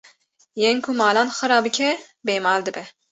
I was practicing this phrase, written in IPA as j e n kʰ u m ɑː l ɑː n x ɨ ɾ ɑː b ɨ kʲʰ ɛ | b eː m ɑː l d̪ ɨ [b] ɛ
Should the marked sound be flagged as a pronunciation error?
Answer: no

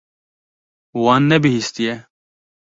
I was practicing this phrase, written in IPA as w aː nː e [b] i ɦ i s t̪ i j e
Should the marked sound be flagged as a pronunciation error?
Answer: no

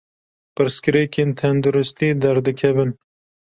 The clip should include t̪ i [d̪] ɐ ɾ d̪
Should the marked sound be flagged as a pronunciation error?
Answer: no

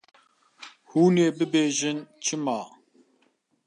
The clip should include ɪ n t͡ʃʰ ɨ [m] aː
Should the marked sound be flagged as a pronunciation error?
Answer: no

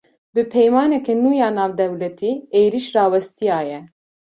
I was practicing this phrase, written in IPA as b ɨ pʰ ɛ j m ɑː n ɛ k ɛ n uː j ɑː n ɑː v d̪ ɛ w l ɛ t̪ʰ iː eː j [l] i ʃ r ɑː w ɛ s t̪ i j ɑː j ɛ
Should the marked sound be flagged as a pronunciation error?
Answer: yes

